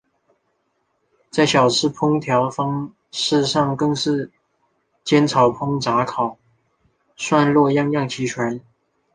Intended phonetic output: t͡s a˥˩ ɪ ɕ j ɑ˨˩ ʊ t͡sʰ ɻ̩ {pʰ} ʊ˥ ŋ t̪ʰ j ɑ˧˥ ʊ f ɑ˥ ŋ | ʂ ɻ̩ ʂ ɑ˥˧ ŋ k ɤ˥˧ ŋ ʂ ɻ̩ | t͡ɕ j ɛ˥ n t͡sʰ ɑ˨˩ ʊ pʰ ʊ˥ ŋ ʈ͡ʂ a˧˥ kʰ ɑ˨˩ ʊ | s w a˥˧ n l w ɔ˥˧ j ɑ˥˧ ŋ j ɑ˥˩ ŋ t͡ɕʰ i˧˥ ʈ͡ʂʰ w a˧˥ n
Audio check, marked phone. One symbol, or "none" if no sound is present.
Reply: pʰ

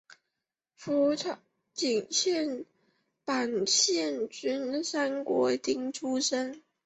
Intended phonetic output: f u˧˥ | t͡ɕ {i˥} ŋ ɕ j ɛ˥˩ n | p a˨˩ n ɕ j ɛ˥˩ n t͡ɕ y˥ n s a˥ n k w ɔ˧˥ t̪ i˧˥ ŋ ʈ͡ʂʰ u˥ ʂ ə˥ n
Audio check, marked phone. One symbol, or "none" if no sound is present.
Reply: i˨˩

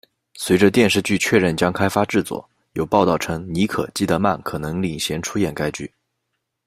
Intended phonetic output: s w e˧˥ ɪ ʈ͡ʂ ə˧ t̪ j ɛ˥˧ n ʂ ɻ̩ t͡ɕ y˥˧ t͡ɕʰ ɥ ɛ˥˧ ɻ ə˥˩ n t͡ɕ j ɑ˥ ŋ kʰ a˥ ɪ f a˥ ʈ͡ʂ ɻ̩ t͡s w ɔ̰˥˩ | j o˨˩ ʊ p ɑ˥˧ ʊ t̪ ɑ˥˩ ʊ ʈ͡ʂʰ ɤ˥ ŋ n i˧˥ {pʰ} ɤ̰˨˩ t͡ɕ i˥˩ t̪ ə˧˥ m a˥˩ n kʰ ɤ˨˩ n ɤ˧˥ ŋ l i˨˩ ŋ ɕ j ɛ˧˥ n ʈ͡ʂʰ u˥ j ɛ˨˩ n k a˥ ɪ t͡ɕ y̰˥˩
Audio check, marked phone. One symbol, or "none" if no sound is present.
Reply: kʰ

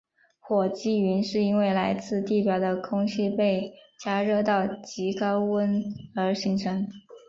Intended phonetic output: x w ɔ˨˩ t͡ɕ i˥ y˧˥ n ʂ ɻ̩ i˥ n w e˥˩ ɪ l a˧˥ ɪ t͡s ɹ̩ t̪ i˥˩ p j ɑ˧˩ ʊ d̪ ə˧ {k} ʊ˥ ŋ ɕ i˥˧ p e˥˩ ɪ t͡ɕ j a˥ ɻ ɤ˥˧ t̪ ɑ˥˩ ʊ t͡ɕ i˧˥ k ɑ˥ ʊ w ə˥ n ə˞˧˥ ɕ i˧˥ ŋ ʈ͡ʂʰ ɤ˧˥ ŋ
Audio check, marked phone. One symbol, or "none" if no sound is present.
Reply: kʰ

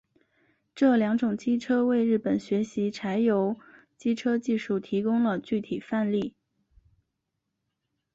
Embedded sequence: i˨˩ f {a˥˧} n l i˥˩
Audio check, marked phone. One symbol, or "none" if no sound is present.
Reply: a˥˧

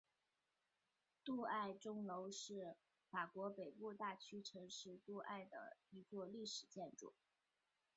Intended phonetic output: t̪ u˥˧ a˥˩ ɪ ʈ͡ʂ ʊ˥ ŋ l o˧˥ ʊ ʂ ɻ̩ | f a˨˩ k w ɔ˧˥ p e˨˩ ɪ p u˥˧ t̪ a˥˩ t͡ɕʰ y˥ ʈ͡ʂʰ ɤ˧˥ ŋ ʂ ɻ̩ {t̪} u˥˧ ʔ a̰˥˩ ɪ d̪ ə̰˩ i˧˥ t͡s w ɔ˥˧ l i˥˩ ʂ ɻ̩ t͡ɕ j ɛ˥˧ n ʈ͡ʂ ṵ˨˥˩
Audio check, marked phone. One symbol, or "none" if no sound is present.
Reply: t̪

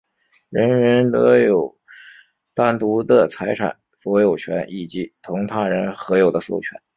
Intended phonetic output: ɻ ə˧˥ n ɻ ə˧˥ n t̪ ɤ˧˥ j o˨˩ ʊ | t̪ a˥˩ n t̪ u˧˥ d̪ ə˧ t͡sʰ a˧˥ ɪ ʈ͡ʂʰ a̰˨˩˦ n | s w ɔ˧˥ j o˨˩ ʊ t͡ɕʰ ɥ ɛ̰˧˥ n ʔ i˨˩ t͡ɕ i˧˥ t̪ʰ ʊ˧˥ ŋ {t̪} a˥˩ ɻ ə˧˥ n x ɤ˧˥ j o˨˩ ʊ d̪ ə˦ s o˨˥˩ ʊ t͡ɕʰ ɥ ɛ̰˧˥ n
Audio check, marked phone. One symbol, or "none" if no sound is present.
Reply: t̪ʰ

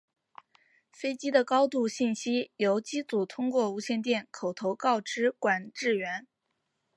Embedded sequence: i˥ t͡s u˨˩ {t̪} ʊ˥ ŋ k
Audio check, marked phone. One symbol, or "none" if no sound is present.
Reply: t̪ʰ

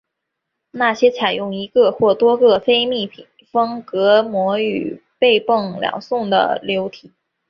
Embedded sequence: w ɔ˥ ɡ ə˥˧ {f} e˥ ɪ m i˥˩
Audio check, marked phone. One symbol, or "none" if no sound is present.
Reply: f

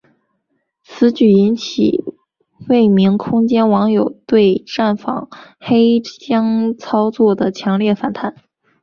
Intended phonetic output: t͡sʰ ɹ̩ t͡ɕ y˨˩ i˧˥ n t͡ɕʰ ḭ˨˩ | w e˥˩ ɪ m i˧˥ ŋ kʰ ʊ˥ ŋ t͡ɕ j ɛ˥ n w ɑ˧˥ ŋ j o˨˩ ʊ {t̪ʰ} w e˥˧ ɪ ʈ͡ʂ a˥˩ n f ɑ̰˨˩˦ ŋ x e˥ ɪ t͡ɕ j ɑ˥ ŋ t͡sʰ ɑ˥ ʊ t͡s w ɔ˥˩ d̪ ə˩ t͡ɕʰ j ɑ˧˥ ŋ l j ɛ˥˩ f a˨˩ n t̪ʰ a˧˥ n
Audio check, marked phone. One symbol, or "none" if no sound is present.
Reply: t̪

